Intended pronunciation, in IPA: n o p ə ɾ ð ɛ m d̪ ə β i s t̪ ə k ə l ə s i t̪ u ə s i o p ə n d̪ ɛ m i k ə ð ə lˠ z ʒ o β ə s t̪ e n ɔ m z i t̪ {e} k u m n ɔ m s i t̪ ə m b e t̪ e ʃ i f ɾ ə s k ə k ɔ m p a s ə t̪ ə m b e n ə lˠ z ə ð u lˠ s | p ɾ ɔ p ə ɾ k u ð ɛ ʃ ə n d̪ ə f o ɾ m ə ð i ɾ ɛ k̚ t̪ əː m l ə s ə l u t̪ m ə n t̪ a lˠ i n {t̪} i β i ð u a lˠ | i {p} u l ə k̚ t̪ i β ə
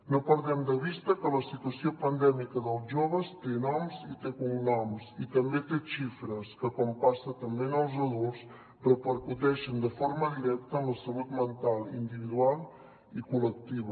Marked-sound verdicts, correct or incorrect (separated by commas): correct, incorrect, incorrect